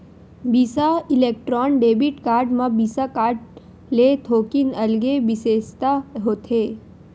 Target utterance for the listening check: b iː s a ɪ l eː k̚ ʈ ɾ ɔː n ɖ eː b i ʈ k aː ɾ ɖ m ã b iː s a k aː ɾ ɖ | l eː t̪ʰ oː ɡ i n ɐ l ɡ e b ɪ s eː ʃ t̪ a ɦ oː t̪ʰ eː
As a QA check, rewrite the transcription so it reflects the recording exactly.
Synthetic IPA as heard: b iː s a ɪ l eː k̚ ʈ ɾ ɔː n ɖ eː b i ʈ k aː ɾ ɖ m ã b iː s a k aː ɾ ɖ | l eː t̪ʰ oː k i n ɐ l ɡ e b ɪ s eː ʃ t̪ a ɦ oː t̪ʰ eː